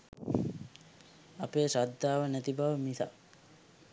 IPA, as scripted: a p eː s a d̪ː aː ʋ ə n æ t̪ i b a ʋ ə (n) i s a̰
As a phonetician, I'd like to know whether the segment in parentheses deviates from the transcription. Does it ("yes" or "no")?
yes